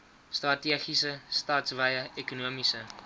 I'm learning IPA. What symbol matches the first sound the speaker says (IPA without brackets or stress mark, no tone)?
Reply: s